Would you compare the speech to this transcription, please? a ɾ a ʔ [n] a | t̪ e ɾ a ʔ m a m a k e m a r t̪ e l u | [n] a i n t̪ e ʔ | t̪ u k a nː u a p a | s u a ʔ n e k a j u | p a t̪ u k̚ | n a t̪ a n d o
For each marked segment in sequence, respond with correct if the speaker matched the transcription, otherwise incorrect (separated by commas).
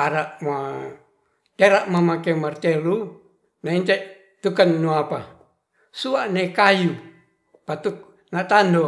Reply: incorrect, correct